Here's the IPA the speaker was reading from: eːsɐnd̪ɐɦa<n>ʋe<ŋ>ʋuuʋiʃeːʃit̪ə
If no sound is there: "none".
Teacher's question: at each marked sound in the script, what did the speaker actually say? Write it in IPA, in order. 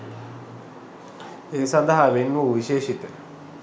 none, n

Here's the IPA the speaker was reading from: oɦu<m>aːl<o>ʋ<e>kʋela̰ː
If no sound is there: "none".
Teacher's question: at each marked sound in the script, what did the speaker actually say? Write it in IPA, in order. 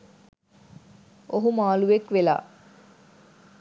m, u, e

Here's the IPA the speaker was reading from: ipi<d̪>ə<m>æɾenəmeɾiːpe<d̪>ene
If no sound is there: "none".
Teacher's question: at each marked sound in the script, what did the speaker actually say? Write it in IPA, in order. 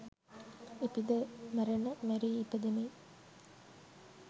d̪, m, d̪

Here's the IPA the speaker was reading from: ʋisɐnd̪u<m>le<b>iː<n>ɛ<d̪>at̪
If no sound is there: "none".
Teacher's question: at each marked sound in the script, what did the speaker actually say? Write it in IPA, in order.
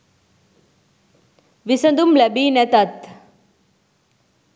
m, b, n, t̪

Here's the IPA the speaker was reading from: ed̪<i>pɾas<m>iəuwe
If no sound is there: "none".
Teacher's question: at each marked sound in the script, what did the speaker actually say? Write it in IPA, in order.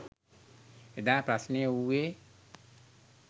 a, n

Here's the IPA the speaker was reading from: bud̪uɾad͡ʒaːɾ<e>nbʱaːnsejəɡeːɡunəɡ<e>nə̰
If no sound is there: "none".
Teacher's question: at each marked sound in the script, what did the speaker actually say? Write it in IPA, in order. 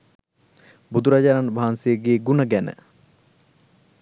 a, æ

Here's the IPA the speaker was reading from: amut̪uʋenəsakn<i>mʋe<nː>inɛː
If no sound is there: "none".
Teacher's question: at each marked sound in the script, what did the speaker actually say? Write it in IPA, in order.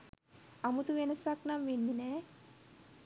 a, nː

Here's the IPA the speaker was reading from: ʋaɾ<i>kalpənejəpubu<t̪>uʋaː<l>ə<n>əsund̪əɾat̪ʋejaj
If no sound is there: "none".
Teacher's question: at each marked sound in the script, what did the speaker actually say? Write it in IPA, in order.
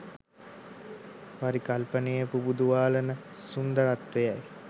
i, d̪, l, n

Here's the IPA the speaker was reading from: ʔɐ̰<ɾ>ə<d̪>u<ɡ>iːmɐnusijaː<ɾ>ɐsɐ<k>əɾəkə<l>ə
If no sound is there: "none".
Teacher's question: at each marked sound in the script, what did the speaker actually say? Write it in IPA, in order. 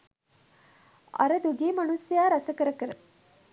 ɾ, d̪, ɡ, ɾ, k, ɾ

